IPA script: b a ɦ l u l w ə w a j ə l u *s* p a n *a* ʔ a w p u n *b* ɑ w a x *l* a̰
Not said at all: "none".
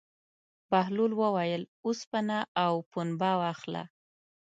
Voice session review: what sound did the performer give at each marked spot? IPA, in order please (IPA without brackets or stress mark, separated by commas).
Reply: s, a, b, l